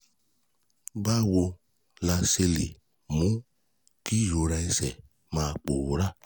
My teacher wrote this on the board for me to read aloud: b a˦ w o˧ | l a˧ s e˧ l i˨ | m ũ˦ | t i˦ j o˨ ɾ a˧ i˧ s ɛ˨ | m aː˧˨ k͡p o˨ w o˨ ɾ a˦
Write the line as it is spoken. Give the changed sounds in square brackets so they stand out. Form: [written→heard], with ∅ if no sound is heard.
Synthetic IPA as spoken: b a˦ w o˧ | l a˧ s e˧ l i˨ | m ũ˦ | [t→k] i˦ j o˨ ɾ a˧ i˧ s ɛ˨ | m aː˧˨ k͡p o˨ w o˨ ɾ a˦